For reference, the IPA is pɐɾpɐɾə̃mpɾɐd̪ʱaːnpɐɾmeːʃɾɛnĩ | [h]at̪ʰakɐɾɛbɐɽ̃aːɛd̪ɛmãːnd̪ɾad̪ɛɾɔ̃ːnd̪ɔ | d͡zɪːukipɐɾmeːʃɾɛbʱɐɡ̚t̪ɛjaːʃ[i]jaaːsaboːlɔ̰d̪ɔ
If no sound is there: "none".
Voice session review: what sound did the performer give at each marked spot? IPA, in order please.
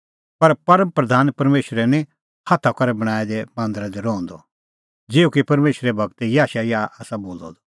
h, a

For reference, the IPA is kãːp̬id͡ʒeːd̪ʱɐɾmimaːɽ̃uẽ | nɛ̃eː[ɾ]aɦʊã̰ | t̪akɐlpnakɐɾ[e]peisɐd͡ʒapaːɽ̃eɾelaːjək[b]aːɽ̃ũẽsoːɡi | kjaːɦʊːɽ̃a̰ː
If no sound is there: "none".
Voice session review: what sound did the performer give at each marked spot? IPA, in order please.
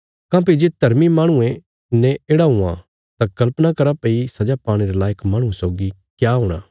ɽ, a, m

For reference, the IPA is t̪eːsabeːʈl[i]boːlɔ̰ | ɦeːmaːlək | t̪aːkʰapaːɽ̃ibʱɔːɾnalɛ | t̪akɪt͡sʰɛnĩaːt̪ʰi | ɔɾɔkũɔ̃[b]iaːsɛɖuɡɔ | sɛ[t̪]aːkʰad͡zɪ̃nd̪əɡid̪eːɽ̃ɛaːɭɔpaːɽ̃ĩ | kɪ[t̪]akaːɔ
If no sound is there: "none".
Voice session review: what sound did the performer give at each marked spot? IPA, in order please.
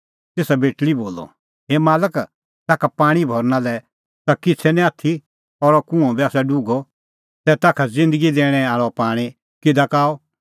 i, b, t̪, d̪

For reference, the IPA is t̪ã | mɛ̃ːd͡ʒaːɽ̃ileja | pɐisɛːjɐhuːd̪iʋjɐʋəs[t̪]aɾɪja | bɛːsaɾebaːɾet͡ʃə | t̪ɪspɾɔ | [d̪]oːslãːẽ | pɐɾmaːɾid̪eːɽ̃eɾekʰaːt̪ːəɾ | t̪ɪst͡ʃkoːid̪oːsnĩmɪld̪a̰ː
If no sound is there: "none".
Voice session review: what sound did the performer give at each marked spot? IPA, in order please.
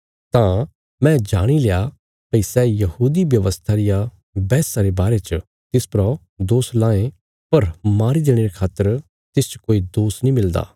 t̪ʰ, d̪

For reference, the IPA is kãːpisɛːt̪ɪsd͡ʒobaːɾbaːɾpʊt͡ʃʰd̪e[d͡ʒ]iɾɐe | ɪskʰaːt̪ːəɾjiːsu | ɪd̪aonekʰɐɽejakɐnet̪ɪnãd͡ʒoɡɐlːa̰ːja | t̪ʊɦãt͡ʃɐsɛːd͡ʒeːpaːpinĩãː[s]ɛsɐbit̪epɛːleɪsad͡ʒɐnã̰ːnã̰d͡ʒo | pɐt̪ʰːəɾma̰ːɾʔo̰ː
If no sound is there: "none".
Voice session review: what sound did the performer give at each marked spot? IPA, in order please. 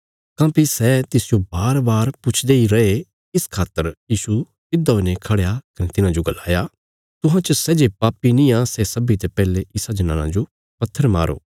none, s

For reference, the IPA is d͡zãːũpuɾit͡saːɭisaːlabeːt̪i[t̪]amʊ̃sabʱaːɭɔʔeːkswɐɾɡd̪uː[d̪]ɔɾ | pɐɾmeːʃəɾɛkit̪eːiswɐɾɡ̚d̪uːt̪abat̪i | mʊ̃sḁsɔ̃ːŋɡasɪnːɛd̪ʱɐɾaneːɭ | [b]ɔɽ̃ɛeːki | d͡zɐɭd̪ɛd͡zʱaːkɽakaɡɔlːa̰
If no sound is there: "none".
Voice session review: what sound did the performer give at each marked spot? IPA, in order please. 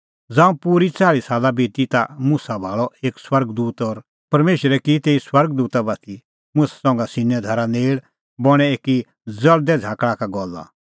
t̪, t̪, b

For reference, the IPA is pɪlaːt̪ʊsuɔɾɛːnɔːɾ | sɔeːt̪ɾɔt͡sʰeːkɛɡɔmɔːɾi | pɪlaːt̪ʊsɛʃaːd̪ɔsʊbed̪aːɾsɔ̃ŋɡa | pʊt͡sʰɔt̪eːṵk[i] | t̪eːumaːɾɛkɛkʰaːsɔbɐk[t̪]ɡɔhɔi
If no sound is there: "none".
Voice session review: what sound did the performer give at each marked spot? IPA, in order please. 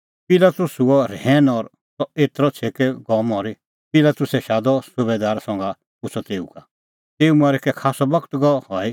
a, t̪

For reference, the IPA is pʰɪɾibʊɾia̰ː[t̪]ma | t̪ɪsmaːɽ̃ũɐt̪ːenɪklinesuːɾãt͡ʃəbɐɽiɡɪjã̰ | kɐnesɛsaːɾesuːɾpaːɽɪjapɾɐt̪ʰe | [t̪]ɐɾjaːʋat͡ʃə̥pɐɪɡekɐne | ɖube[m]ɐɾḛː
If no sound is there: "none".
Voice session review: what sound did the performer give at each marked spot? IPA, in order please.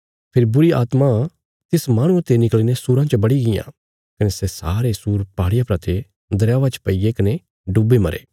t̪, d̪, m

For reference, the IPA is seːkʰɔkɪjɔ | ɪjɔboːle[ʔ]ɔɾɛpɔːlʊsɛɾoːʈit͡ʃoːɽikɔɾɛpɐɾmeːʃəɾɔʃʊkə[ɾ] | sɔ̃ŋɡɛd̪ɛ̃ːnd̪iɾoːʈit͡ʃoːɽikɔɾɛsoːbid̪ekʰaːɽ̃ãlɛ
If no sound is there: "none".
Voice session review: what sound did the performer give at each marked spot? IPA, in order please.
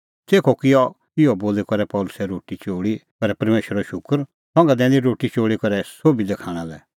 k, ɾ

